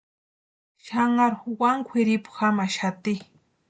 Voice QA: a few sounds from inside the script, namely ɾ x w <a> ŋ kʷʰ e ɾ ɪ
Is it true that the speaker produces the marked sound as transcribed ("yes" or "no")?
yes